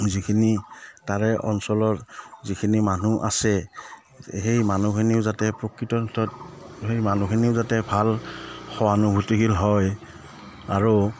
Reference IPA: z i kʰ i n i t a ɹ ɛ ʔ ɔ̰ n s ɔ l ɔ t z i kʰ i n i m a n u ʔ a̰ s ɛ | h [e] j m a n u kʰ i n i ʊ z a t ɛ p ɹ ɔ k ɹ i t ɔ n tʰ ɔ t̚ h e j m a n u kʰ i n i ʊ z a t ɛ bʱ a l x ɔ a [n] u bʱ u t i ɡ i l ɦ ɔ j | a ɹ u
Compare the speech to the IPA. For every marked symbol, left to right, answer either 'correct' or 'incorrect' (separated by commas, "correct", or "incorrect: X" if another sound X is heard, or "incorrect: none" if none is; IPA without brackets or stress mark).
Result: correct, correct